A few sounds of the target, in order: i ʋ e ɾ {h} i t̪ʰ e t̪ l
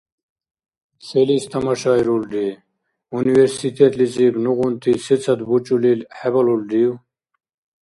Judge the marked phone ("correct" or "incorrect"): incorrect